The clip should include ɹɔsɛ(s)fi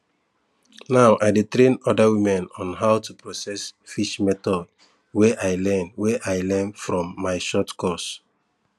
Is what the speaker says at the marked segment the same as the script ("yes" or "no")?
yes